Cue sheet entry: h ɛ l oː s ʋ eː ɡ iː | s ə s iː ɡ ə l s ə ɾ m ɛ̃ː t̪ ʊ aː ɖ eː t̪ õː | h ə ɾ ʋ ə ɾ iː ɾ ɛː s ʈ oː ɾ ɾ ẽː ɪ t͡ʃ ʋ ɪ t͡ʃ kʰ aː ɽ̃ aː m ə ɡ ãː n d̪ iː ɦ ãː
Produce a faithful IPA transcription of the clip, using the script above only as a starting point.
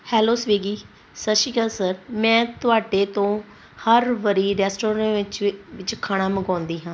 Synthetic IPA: h ɛː l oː s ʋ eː ɡ iː | s ə ʃ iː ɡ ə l s ə ɾ m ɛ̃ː t̪ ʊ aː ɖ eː t̪ õː | h ə ɾ ʋ ə ɾ iː ɾ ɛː s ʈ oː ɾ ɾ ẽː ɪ t͡ʃ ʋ ɪ t͡ʃ kʰ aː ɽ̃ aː m ə ɡ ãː n d̪ iː ɦ ãː